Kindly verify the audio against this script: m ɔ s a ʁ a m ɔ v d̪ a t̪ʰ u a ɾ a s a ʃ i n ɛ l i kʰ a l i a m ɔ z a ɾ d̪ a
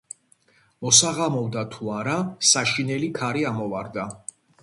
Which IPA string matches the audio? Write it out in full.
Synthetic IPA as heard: m ɔ s a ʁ a m ɔ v d̪ a t̪ʰ u a ɾ a s a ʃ i n ɛ l i kʰ a ɾ i a m ɔ v a ɾ d̪ a